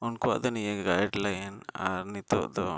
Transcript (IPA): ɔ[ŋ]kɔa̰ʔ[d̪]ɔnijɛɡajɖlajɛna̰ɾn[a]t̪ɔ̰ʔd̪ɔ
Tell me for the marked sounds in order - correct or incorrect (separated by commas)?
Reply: incorrect, correct, incorrect